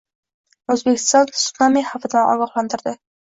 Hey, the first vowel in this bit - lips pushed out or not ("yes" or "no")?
yes